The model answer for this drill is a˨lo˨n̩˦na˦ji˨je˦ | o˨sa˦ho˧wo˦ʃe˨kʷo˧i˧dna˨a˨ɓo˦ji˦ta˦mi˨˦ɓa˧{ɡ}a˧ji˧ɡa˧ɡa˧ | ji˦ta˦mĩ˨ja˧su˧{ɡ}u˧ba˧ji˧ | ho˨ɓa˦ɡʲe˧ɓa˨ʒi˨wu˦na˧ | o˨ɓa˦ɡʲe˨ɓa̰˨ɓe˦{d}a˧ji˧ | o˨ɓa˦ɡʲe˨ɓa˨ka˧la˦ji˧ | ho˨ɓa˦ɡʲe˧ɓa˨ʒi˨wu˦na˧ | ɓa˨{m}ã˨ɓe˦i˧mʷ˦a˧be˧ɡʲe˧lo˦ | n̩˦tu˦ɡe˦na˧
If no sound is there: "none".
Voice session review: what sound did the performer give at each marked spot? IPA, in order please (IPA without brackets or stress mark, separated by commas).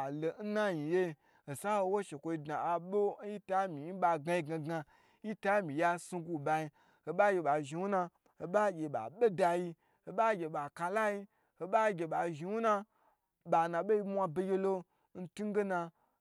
ɡ, ɡ, d, n